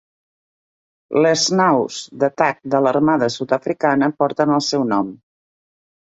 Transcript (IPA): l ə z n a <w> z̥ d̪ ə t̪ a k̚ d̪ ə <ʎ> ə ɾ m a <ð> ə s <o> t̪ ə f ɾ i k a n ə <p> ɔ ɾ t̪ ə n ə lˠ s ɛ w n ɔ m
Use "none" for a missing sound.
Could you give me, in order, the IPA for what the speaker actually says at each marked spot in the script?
w, l, ð, u, p

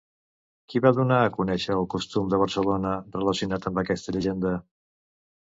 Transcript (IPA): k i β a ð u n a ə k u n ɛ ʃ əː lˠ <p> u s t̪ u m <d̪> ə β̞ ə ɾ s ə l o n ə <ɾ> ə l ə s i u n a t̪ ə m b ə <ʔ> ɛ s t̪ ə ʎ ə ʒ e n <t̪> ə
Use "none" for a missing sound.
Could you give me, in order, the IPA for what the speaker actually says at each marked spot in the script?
k, d̪, r, k, d̪

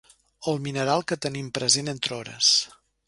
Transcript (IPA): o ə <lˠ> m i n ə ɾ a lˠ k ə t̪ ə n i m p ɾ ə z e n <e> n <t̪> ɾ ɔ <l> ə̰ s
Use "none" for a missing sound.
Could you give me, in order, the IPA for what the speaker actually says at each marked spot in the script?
lˠ, e, t̪, ɾ

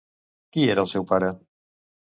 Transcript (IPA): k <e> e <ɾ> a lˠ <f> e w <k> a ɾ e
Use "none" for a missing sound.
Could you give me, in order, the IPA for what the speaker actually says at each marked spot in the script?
i, ɾ, s, p

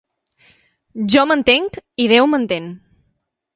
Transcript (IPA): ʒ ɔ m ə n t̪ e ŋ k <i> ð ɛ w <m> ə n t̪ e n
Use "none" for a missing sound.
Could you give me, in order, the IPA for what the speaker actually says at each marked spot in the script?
i, m

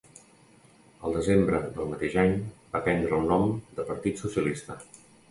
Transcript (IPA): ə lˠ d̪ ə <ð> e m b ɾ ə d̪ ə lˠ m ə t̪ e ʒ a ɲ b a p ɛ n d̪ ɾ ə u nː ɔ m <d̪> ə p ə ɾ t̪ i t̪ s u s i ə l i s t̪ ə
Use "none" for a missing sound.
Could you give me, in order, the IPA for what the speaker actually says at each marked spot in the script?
z, d̪

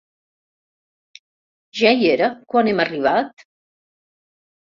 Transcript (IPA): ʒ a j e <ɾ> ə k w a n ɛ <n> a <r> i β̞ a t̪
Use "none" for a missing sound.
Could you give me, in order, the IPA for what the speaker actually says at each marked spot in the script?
ɾ, m, r

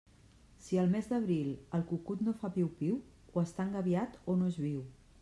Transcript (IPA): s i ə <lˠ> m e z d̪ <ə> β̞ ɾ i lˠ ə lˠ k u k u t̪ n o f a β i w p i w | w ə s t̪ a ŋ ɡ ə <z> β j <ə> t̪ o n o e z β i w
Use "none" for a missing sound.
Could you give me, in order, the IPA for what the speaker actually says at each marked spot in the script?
lˠ, ə, none, a

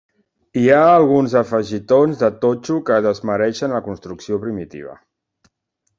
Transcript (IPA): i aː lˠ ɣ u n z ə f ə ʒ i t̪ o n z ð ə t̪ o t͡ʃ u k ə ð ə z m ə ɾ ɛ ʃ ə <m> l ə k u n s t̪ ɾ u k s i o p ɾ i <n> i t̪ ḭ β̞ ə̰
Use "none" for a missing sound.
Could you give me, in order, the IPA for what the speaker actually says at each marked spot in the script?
n, m

